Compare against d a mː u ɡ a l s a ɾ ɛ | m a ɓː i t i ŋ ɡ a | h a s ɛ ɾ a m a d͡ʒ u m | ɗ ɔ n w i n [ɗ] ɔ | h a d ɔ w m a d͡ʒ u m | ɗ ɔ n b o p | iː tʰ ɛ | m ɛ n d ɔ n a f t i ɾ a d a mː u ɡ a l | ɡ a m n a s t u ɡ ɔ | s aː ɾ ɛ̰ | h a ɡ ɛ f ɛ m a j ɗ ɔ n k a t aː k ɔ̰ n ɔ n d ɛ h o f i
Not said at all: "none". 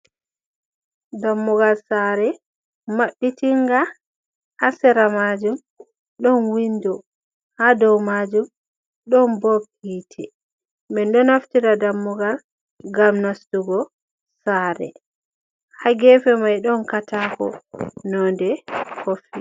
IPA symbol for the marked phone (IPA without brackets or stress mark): d